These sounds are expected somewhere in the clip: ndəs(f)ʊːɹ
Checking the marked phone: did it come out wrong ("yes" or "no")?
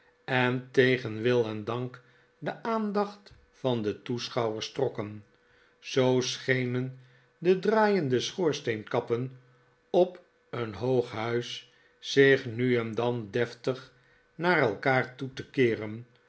yes